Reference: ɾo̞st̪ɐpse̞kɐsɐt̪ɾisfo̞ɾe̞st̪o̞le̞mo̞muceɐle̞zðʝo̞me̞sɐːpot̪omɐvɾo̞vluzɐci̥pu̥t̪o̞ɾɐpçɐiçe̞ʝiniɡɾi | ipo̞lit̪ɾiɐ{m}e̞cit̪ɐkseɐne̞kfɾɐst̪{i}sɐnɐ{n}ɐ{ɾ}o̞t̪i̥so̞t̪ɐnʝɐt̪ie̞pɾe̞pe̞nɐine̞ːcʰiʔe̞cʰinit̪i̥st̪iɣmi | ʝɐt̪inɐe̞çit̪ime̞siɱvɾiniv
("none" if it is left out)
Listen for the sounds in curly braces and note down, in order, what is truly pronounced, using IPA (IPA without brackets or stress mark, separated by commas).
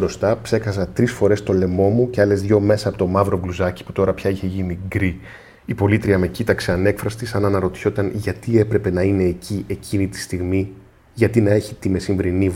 m, i, n, ɾ